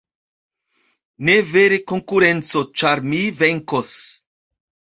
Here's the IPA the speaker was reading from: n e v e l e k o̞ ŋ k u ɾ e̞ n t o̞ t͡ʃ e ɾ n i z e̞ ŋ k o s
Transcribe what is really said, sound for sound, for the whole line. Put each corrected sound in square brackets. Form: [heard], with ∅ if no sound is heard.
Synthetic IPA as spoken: n e v e [ɾ] e k o̞ ŋ k u ɾ e̞ n [t͡s] o̞ t͡ʃ [a] ɾ [m] i [v] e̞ ŋ k o s